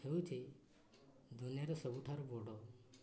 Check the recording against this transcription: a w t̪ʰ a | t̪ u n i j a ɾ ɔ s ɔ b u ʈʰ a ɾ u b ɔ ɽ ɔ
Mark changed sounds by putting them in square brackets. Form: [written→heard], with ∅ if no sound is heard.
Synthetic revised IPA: [a→e] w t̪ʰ [a→i] | [t̪→d̪] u n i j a ɾ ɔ s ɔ b u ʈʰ a ɾ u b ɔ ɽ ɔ

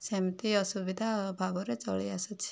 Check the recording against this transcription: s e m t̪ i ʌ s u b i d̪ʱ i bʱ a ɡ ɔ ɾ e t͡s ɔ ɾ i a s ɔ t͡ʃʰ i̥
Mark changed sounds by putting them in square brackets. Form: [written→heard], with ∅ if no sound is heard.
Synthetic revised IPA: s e m t̪ i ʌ s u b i d̪ʱ [i→a] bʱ a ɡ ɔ ɾ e t͡s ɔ [ɾ→ɭ] i a s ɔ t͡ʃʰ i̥

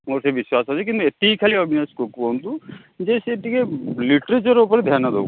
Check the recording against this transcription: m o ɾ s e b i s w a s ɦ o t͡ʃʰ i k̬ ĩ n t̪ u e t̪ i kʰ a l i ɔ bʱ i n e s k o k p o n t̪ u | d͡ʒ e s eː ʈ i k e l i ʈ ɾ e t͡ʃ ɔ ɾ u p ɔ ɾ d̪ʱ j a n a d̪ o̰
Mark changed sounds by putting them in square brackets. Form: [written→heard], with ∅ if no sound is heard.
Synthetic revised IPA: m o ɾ s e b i s w a s ɦ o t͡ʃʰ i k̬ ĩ n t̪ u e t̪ i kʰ a l i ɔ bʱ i n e s k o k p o n t̪ u | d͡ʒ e s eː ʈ i k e l i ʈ ɾ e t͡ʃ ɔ ɾ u p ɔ ɾ d̪ʱ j a n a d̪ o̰

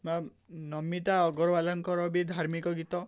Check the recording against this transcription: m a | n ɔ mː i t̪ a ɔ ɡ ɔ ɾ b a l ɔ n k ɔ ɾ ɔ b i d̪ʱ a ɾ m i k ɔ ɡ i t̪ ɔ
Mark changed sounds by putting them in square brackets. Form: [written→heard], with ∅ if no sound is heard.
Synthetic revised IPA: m a | n ɔ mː i t̪ a ɔ ɡ ɔ ɾ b a l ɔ [n→ŋ] k ɔ ɾ ɔ b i d̪ʱ a ɾ m i k ɔ ɡ i t̪ ɔ

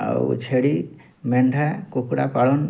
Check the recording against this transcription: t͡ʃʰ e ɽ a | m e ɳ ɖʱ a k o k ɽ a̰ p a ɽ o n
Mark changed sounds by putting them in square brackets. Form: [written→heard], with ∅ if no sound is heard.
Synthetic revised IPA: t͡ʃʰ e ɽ [a→i] | m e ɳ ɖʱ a k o k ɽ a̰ p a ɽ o n

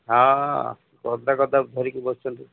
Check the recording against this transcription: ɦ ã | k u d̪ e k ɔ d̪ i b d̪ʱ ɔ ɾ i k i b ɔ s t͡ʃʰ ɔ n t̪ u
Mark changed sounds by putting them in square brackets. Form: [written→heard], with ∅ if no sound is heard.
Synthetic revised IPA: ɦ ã | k [u→ɔ] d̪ [e→a] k ɔ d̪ [i→a] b d̪ʱ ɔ ɾ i k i b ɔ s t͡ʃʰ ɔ n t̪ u

